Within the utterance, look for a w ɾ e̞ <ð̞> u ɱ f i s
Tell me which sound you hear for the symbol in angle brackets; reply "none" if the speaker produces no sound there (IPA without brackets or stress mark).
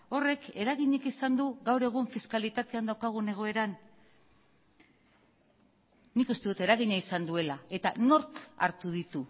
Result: ɣ̞